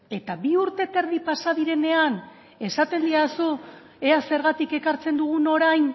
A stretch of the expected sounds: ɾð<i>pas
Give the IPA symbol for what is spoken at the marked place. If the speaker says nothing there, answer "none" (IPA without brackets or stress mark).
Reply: i